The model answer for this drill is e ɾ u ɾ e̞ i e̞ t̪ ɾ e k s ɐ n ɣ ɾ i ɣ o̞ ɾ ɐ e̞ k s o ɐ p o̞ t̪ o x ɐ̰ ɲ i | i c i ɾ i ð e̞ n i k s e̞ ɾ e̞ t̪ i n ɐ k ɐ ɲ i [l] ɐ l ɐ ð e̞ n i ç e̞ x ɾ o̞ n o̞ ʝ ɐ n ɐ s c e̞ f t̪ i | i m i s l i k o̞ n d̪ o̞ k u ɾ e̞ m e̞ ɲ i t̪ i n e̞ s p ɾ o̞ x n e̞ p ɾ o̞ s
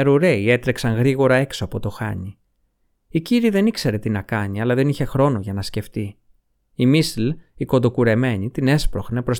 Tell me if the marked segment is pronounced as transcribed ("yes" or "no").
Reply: no